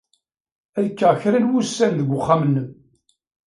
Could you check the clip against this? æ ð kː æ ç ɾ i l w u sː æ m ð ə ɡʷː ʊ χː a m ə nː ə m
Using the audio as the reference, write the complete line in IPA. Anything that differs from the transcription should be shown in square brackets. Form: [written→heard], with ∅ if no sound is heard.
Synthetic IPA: æ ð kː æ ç ɾ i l w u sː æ [m→n] ð ə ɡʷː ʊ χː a m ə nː ə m